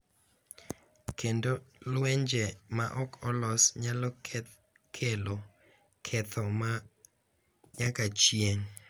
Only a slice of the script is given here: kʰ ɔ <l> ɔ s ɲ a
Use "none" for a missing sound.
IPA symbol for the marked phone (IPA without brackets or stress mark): l